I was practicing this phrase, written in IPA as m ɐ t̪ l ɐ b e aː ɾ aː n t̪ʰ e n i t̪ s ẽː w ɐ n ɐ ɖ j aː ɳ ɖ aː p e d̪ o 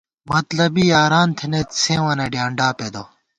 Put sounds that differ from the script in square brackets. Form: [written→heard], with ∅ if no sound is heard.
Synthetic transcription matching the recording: m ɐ t̪ l ɐ b [e→i] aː ɾ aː n t̪ʰ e n [i→e] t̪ s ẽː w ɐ n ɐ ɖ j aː ɳ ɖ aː p e d̪ o